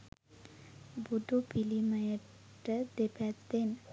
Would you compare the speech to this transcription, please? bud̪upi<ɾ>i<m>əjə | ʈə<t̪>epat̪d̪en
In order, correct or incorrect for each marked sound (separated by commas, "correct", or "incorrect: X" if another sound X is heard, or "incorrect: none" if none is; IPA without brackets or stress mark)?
incorrect: l, correct, incorrect: d̪